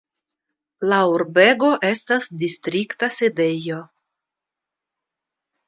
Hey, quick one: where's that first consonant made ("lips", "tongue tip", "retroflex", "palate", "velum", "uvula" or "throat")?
tongue tip